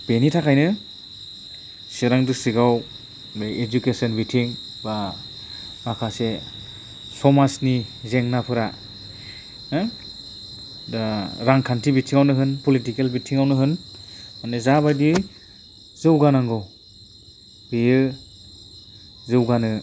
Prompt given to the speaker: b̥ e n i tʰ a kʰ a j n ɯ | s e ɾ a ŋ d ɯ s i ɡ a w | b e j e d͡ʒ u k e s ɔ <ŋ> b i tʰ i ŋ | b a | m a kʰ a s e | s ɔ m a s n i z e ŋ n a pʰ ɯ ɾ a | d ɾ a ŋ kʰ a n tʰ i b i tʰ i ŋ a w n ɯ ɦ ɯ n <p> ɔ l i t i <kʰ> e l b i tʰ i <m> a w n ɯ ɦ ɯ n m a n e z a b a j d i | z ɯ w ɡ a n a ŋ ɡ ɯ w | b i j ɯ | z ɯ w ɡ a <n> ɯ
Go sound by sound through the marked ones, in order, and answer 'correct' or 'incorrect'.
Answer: incorrect: n, correct, incorrect: k, incorrect: ŋ, correct

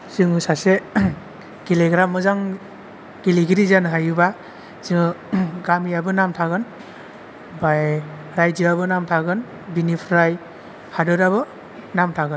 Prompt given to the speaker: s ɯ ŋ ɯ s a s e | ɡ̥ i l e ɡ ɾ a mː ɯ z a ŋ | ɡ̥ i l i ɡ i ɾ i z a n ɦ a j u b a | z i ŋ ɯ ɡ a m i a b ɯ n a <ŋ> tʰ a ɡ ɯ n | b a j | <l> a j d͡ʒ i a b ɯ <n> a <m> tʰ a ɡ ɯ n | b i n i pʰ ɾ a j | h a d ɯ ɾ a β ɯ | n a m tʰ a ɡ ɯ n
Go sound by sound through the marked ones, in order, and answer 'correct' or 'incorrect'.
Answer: incorrect: m, incorrect: ɾ, correct, correct

